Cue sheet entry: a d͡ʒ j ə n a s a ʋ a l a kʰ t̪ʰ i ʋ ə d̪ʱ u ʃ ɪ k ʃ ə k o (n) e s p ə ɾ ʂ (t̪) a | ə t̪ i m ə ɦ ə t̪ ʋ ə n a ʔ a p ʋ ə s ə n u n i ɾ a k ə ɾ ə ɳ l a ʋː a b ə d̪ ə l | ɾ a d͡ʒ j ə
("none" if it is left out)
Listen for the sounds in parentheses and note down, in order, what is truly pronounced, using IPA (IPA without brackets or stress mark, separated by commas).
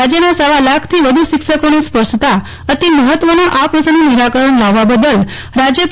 n, t̪